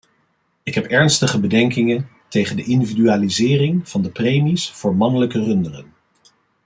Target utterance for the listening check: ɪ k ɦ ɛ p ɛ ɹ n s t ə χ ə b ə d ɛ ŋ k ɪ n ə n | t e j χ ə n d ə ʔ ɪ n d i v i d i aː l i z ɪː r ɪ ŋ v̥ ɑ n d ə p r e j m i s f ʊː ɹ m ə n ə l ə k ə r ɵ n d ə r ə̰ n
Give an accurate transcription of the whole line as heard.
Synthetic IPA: ɪ k ɦ ɛ p ɛ ɹ n s t ə χ ə b ə d ɛ ŋ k ɪ ŋ ə n | t e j χ ə n d ə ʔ ɪ n d i v i d y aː l i z ɪː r ɪ ŋ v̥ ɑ n d ə p r e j m i s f ʊː ɹ m ɑ n ə l ə k ə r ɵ n d ə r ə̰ n